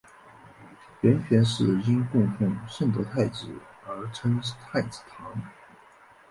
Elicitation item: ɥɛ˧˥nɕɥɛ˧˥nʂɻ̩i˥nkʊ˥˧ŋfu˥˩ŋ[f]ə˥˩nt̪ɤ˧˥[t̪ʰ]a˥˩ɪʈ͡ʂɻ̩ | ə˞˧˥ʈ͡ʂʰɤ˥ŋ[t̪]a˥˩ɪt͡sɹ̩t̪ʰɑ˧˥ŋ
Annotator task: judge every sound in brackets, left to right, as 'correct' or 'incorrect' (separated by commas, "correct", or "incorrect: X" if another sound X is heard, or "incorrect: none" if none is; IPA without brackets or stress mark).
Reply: incorrect: ʂ, correct, incorrect: t̪ʰ